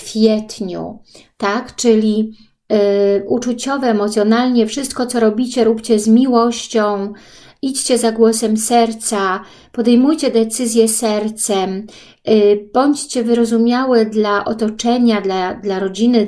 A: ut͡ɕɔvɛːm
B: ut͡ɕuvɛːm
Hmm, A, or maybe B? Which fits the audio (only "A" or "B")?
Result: A